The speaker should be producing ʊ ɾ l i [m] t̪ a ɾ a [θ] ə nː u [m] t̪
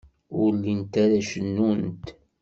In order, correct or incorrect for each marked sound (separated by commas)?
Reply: incorrect, incorrect, incorrect